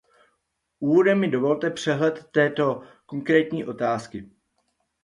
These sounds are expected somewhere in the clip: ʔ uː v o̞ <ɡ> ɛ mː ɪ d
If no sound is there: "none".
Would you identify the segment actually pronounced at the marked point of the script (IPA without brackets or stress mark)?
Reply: d